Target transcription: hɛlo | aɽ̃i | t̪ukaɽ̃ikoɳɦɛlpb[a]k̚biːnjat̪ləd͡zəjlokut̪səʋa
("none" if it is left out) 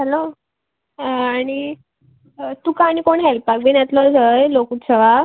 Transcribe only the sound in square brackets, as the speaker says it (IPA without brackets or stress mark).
a